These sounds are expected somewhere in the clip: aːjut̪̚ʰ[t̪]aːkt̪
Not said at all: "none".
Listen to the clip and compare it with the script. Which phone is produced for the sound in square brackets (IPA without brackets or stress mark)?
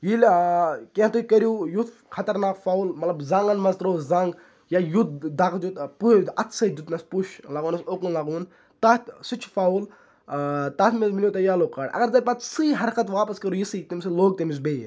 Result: d̪